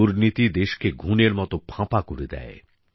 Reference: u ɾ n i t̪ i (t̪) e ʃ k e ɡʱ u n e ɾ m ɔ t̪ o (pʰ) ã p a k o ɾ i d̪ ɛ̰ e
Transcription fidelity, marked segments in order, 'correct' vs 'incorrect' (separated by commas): incorrect, correct